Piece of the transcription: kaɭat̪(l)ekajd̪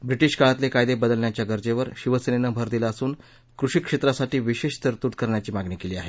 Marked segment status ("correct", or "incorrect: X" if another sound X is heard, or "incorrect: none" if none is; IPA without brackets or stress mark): correct